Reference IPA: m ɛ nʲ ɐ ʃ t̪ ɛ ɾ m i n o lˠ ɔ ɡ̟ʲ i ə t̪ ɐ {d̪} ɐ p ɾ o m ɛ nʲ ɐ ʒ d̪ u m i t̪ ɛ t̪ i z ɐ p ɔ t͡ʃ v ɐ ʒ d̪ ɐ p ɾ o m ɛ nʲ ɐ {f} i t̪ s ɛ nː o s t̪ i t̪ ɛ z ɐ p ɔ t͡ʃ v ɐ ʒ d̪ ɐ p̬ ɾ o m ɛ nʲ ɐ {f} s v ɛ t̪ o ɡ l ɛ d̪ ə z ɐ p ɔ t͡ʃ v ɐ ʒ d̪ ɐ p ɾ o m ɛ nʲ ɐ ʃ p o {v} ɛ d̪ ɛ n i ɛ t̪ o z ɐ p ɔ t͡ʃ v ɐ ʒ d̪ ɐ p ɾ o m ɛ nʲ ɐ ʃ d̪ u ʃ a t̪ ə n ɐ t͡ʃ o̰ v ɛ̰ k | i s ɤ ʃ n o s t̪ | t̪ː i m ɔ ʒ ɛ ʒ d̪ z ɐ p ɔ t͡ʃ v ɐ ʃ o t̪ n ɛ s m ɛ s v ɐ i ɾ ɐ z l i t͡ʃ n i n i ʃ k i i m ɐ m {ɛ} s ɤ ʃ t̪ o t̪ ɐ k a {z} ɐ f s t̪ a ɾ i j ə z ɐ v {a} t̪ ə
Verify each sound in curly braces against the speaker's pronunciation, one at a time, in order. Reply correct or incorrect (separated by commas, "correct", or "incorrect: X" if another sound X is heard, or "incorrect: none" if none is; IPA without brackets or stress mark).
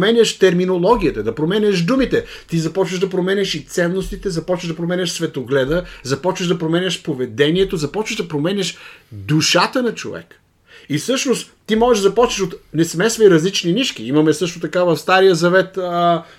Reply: correct, incorrect: ʃ, incorrect: ʃ, correct, correct, incorrect: v, incorrect: ɛ